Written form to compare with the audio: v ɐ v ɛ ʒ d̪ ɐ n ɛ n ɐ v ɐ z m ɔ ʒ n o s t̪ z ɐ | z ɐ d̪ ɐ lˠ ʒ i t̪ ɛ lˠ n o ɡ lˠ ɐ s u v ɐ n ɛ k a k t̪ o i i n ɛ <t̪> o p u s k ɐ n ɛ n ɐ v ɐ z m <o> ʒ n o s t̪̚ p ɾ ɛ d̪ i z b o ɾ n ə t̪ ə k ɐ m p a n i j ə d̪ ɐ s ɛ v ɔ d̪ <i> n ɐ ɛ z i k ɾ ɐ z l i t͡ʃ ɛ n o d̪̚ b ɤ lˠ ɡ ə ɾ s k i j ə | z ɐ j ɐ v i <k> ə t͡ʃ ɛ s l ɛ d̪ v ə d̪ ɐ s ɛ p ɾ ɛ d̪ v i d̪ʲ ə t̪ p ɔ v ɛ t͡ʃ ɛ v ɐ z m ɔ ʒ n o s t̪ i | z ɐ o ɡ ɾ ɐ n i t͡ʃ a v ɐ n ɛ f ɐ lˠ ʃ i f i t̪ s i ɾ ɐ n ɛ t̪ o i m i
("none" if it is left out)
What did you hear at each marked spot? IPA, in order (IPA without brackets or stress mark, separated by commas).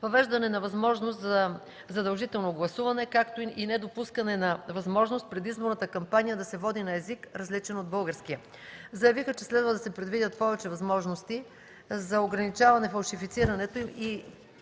d̪, ɔ, i, x